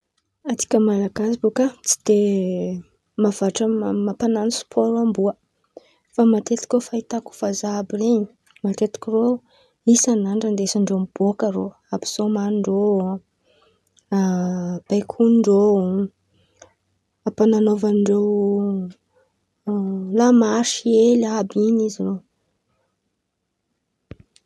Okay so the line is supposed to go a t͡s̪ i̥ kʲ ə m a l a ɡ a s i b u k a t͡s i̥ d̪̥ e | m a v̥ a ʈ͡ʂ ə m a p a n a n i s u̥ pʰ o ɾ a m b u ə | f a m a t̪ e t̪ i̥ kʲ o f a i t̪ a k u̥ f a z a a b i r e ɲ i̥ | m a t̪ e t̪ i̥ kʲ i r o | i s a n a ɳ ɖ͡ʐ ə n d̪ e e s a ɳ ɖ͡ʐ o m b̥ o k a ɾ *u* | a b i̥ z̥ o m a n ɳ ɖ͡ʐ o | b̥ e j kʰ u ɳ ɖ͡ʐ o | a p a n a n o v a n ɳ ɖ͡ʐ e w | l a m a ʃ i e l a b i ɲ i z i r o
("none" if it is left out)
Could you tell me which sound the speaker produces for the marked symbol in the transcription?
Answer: o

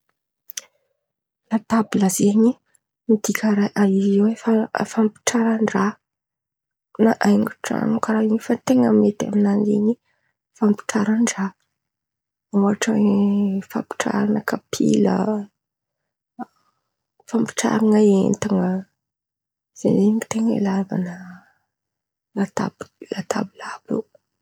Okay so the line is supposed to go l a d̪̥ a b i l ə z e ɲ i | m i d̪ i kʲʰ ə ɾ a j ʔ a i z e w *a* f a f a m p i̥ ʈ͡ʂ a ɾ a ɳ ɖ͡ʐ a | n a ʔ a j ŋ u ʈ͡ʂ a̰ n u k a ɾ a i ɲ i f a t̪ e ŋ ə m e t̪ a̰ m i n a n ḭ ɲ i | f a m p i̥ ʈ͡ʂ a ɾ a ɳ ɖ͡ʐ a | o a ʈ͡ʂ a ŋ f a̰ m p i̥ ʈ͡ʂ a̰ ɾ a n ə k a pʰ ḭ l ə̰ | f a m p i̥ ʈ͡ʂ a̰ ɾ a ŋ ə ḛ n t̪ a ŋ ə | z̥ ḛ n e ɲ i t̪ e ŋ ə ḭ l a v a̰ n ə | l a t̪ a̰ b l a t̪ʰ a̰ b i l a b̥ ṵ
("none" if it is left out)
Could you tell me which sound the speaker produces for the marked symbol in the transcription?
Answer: e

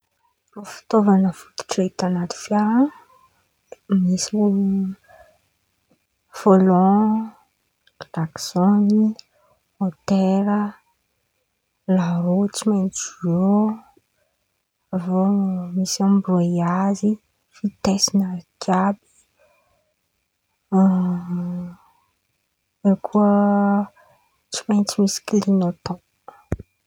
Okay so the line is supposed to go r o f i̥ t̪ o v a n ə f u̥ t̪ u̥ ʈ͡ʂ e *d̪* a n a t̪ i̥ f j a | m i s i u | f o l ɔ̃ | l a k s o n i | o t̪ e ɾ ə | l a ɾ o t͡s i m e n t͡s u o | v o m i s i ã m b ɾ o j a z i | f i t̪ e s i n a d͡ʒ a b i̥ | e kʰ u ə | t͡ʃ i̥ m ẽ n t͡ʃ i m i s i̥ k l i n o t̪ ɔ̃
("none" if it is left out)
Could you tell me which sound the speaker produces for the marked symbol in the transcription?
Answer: t̪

